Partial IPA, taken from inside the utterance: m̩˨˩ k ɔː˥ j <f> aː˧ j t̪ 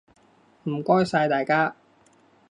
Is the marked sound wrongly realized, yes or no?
yes